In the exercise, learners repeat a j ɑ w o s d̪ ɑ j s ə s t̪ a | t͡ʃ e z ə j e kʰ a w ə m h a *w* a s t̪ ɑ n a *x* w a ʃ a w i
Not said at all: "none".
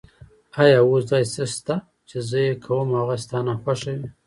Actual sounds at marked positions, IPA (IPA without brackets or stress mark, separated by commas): ɣ, x